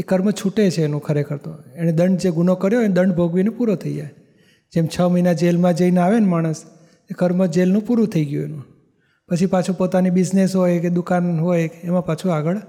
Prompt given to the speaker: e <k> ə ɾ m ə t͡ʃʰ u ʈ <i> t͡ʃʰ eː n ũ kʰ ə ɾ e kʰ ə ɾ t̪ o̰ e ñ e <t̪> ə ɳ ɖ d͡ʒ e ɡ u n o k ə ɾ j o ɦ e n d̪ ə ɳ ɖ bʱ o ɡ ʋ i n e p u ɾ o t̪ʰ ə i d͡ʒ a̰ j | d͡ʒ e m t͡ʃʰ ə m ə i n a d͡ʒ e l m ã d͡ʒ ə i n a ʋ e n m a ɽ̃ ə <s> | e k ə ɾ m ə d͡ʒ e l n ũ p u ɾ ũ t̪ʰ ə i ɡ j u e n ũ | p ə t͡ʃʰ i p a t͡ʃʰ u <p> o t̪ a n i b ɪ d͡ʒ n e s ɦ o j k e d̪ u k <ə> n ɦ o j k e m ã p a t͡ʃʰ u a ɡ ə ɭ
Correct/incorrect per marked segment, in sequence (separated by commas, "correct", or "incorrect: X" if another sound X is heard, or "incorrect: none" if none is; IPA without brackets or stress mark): correct, incorrect: e, incorrect: d̪, correct, correct, incorrect: a